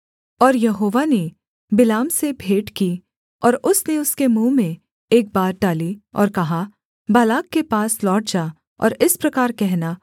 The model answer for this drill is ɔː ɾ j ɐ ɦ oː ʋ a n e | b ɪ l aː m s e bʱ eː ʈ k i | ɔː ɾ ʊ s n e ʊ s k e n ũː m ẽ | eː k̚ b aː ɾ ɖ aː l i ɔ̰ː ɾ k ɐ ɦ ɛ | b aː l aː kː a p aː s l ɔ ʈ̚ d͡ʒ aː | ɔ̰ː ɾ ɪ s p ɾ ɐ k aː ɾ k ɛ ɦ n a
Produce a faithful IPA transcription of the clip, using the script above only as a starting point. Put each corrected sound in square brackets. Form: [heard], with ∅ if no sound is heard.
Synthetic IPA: ɔː ɾ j ɐ ɦ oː ʋ a n e | b ɪ l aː m s e bʱ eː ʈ k i | ɔː ɾ ʊ s n e ʊ s k e [m] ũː m ẽ | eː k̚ b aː ɾ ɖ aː l i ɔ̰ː ɾ k ɐ ɦ [a] | b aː l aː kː [e] p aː s l [ɔː] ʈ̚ d͡ʒ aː | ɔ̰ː ɾ ɪ s p ɾ ɐ k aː ɾ k ɛ ɦ n a